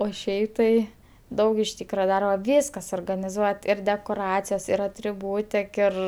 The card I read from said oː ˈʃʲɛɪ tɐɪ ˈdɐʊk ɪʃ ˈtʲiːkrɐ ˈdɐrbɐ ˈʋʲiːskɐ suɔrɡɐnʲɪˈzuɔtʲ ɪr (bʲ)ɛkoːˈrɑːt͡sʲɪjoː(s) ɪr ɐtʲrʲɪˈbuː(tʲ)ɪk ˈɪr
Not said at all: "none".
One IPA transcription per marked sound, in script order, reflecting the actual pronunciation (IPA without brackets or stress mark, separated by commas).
dʲ, s, tʲ